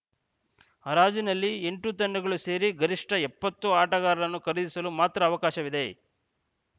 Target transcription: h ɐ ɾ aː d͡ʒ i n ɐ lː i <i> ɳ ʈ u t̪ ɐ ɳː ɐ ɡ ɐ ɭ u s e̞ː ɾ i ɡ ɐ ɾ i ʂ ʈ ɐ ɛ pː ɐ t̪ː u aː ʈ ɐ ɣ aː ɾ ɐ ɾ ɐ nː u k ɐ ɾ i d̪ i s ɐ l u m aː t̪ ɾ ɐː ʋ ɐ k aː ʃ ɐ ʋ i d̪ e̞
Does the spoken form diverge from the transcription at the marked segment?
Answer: yes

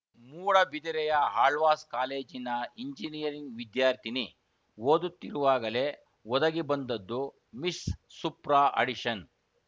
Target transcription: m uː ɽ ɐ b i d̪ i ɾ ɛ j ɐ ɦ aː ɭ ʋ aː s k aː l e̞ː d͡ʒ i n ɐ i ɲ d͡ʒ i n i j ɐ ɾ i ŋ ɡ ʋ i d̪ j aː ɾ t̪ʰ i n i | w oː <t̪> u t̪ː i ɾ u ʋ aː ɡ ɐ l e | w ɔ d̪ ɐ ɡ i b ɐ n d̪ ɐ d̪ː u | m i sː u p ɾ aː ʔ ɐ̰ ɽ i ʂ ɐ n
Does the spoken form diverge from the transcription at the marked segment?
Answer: yes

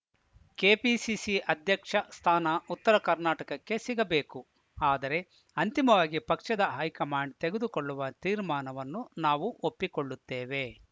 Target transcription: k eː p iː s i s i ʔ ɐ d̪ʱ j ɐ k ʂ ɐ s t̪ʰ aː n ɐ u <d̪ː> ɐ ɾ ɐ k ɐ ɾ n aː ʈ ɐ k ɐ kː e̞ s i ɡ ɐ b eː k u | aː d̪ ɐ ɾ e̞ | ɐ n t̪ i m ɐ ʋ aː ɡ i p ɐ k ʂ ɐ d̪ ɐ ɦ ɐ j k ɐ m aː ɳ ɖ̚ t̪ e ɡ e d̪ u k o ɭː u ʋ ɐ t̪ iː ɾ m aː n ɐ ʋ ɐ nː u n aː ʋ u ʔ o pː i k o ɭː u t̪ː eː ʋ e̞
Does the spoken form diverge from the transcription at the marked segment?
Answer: yes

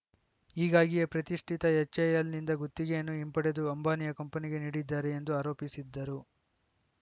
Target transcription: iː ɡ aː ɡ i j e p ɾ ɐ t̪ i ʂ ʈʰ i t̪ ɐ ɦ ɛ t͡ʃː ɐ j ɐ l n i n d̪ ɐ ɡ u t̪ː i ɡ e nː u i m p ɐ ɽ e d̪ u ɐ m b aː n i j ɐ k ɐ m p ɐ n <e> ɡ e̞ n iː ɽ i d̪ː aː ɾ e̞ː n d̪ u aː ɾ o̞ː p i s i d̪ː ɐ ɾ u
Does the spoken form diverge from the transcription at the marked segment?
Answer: yes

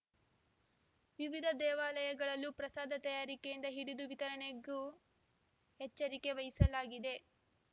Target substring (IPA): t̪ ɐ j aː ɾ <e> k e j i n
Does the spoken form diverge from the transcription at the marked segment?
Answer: yes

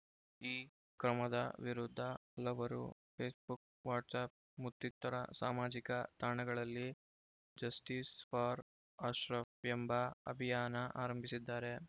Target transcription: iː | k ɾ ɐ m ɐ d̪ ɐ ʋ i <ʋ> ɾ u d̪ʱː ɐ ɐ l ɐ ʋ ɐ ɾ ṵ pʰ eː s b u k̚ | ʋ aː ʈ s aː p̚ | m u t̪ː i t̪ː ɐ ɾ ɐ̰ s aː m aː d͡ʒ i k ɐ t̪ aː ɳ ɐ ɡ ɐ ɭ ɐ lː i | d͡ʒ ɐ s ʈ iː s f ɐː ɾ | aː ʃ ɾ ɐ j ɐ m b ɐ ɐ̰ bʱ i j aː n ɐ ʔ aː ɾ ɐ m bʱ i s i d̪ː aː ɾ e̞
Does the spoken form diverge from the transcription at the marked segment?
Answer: yes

